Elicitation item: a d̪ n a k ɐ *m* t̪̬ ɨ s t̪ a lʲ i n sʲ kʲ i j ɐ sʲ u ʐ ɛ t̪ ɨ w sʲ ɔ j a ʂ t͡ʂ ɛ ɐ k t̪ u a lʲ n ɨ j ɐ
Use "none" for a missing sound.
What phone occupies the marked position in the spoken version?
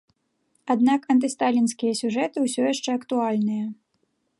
n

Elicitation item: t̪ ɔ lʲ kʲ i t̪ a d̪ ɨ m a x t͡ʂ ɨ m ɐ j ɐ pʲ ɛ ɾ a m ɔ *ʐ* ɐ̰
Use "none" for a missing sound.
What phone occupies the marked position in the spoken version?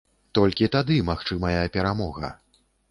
ɣ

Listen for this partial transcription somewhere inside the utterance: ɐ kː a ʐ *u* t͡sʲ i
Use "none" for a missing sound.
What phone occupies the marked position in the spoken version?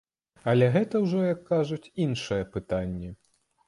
u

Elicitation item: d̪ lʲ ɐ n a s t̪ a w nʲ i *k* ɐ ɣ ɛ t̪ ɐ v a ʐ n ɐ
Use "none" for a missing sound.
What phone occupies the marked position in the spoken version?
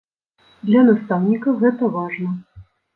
k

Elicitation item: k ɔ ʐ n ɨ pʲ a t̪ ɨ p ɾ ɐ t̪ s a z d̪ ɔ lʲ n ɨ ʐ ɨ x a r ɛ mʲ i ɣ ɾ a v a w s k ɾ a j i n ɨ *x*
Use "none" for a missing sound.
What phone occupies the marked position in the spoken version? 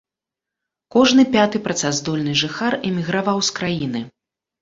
none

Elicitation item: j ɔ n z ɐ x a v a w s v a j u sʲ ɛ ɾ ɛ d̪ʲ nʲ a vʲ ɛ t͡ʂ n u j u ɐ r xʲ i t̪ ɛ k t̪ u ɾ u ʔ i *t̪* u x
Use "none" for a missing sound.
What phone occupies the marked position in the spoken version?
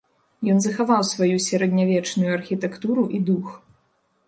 d̪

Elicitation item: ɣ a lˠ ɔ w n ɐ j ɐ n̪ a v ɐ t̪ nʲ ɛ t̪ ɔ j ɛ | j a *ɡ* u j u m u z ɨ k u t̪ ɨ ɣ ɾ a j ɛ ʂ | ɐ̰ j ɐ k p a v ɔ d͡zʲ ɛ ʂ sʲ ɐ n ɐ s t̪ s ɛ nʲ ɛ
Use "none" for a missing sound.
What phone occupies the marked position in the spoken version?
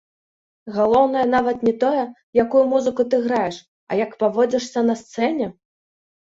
k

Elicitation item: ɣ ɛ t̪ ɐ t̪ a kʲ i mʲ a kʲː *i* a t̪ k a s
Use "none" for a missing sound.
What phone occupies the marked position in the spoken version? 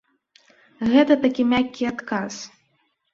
i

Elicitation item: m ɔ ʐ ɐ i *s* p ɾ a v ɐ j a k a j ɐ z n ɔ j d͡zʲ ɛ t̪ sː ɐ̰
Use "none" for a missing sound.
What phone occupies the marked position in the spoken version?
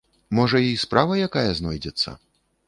s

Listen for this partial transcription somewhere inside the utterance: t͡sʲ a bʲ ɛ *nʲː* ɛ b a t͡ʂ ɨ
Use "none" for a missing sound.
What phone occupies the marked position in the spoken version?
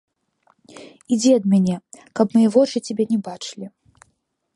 nʲ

